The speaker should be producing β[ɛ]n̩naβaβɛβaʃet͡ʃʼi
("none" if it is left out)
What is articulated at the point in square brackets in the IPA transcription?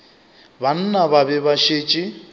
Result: a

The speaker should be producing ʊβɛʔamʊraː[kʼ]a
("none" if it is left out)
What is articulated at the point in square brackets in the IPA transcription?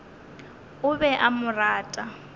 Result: tʼ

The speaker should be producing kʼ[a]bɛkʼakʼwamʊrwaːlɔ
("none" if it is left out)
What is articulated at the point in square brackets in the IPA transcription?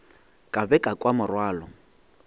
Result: a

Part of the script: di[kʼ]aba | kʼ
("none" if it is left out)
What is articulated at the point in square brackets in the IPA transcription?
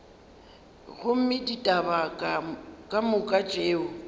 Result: tʼ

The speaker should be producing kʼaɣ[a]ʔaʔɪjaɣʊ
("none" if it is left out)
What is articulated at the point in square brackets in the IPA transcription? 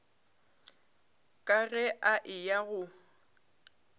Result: ɛ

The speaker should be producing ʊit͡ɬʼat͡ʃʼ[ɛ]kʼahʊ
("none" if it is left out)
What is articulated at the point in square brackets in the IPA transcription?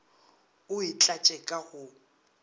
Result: ɛ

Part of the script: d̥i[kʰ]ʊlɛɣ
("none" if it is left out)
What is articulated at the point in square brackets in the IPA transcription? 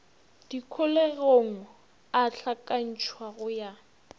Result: kʰ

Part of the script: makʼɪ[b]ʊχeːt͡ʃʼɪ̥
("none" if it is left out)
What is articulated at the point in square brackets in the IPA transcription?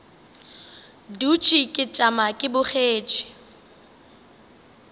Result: b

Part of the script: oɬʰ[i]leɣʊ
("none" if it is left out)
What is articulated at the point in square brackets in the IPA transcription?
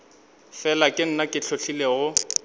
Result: i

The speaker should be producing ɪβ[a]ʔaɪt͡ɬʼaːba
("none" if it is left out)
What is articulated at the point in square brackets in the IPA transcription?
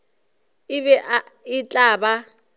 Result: ɛ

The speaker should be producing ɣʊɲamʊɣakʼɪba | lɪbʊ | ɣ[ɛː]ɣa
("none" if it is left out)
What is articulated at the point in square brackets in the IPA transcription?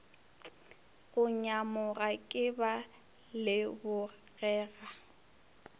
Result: ɛː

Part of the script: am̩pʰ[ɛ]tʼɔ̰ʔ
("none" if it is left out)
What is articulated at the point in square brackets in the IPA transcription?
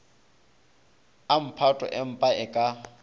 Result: a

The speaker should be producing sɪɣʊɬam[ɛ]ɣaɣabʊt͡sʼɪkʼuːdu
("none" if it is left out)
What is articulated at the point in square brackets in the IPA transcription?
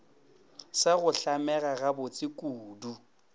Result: ɛ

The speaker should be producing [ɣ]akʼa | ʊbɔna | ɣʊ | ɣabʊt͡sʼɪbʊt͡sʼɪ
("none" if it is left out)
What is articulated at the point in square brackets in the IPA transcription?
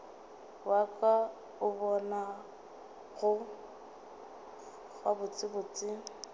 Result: w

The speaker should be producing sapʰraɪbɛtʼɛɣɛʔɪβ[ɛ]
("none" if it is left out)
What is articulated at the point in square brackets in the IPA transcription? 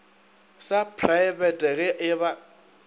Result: a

